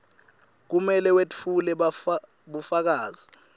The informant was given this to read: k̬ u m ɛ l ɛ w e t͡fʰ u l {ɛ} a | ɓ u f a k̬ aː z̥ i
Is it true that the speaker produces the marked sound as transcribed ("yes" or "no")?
yes